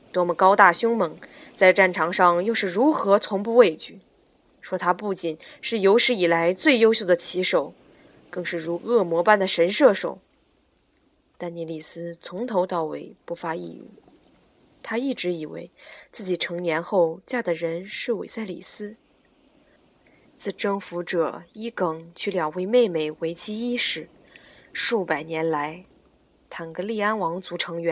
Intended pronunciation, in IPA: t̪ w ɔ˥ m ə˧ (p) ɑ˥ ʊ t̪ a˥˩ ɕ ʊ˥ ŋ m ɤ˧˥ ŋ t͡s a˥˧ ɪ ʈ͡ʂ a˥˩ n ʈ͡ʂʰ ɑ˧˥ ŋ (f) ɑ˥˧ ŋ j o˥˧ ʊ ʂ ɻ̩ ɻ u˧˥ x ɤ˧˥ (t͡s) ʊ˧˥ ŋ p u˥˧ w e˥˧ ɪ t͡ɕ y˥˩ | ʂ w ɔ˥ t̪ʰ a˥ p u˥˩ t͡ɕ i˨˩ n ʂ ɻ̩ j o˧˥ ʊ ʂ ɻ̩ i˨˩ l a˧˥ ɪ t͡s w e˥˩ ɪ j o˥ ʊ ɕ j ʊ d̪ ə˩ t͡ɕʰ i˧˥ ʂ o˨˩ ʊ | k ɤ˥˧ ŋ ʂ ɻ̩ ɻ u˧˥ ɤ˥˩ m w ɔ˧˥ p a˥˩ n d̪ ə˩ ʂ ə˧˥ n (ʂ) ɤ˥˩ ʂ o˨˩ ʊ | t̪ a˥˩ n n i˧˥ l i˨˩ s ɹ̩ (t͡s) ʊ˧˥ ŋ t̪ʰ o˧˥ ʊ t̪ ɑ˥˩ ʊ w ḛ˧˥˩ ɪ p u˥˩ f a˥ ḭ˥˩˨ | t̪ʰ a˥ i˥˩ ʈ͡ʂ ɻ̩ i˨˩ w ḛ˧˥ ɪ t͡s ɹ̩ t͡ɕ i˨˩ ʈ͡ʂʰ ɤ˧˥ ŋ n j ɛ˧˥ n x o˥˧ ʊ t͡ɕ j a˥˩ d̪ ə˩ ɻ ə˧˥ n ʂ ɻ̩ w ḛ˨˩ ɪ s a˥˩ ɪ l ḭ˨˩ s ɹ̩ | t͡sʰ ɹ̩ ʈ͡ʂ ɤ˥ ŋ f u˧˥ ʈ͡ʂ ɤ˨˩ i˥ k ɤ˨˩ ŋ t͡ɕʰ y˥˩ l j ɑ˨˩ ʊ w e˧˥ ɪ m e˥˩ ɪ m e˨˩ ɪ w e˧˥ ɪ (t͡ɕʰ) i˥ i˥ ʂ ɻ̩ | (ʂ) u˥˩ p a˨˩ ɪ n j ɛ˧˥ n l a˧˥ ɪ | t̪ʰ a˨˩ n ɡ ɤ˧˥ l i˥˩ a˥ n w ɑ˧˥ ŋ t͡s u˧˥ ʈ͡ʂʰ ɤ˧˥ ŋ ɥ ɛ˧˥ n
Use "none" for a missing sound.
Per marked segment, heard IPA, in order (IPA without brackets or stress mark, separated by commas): k, ʂ, t͡sʰ, ʂ, t͡sʰ, t͡ɕʰ, ʂ